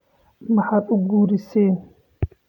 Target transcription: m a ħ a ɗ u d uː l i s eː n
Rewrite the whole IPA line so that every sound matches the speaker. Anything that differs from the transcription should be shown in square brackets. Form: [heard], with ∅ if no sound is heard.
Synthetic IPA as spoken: m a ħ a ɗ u [ɡ] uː [ɾ] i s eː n